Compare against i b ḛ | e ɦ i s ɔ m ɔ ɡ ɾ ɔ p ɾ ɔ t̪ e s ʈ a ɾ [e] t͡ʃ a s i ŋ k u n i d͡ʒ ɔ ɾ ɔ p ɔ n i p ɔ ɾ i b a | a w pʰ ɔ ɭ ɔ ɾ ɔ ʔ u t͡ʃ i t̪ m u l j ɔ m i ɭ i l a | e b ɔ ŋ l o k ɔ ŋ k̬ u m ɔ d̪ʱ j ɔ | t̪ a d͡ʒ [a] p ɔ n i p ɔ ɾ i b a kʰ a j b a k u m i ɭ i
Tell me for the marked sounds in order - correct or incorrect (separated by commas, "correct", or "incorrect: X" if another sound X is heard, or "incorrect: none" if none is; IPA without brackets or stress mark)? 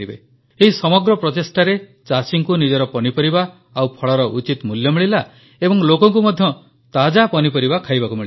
correct, correct